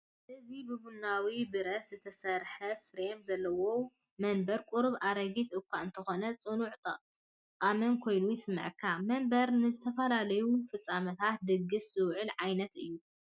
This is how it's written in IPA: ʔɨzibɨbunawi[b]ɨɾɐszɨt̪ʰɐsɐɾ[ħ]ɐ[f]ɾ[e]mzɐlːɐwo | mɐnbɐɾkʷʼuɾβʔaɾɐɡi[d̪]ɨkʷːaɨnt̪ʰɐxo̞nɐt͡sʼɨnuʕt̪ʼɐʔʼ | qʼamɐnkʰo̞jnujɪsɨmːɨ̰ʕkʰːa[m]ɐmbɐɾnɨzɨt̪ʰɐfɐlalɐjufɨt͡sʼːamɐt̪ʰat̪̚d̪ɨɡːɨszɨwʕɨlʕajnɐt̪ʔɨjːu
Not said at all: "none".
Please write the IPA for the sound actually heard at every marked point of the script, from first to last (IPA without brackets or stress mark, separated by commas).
b, ħ, f, e, t̪, m